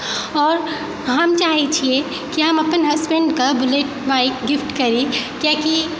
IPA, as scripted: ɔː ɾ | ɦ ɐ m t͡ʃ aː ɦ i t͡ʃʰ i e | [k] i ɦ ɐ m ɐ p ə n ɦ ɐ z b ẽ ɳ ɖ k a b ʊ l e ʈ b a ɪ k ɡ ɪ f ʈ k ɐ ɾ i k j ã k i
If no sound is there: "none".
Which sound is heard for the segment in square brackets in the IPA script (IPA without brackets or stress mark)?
k